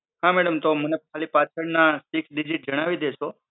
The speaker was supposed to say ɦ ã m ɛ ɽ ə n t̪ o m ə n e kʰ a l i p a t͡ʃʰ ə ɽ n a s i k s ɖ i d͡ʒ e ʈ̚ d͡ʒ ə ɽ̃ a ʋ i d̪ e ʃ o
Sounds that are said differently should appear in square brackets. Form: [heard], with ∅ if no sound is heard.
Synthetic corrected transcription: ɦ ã m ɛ ɽ ə [m] t̪ o m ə n e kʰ a l i p a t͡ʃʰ ə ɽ n a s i k s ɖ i d͡ʒ [i] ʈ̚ d͡ʒ ə ɽ̃ a ʋ i d̪ e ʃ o

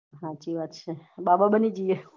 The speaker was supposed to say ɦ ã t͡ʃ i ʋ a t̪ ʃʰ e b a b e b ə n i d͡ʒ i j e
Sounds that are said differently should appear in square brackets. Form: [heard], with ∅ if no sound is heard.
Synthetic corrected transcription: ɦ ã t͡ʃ i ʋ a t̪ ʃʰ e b a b [a] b ə n i d͡ʒ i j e

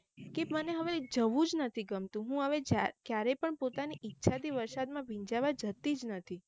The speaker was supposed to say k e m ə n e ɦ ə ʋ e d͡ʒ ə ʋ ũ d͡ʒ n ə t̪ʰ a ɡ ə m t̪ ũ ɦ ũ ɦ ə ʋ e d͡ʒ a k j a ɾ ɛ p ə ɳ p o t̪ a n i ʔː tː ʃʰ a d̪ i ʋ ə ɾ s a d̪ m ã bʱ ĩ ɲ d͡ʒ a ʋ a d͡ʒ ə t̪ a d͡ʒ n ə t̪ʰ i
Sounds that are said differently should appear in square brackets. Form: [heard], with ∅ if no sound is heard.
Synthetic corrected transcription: k e m ə n e ɦ ə ʋ e d͡ʒ ə ʋ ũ d͡ʒ n ə t̪ʰ [i] ɡ ə m t̪ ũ ɦ ũ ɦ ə ʋ e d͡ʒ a k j a ɾ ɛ p ə ɳ p o t̪ a n i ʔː tː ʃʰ a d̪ i ʋ ə ɾ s a d̪ m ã bʱ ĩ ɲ d͡ʒ a ʋ a d͡ʒ ə t̪ [i] d͡ʒ n ə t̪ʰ i

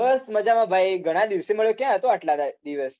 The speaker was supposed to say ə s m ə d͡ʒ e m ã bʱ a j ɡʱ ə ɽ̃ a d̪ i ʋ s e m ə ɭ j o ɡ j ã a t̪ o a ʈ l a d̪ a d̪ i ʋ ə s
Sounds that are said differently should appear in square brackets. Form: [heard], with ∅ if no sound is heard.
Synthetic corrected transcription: ə s m ə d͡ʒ [a] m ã bʱ a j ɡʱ ə ɽ̃ a d̪ i ʋ s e m ə ɭ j o [k] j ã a t̪ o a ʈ l a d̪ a d̪ i ʋ ə s

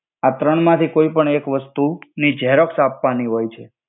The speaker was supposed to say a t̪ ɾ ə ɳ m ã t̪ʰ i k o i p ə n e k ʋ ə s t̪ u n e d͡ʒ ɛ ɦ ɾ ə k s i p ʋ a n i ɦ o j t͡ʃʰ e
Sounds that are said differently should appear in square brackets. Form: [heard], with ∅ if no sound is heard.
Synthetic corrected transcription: a t̪ ɾ ə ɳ m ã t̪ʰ i k o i p ə [ɳ] e k ʋ ə s t̪ u n [i] d͡ʒ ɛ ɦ ɾ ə k s [a] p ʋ a n i ɦ o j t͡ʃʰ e

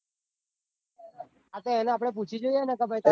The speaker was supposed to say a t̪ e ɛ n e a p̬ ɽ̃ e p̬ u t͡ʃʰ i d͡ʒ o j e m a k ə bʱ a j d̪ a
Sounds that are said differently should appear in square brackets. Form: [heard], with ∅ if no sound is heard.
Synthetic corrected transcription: a t̪ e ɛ n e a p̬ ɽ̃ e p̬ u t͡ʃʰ i d͡ʒ o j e [n] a k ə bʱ a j [t̪] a

